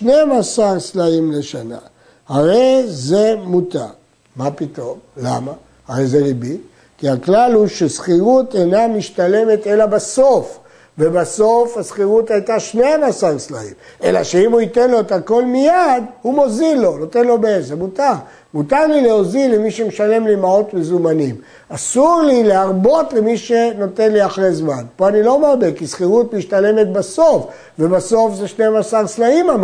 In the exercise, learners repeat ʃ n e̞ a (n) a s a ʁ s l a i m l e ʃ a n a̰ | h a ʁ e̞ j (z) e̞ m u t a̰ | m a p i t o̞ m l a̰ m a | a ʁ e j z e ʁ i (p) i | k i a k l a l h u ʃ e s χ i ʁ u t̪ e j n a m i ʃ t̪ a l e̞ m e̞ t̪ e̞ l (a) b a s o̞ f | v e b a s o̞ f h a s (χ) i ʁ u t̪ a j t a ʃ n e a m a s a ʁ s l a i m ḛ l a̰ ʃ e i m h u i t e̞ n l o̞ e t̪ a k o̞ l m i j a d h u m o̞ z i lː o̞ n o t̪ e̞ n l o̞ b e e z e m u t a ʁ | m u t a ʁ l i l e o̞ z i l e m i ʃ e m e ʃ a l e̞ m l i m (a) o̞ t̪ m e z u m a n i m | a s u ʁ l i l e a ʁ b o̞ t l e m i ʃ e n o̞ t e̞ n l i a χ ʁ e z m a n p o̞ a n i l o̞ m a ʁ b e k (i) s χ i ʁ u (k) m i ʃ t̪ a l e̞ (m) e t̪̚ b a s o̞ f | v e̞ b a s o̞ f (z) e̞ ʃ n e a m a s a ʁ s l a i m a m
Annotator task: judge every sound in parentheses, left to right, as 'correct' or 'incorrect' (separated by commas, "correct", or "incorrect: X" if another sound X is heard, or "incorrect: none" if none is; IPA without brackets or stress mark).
incorrect: m, correct, incorrect: b, correct, correct, correct, correct, incorrect: t, correct, correct